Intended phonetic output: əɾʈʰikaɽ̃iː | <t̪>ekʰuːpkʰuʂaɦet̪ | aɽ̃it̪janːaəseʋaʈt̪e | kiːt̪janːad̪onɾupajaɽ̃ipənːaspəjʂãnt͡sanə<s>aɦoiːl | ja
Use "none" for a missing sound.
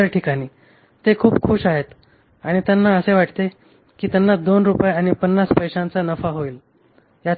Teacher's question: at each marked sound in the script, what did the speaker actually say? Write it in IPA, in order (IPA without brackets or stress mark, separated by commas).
t̪, f